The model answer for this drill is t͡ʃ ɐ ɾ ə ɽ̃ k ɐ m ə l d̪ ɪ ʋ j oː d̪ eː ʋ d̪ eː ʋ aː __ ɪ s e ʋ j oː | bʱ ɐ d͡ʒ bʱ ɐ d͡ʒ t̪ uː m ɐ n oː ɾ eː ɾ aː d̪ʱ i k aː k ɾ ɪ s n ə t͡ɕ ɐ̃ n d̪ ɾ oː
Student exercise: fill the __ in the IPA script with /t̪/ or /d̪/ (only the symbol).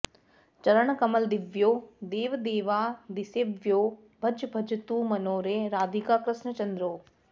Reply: d̪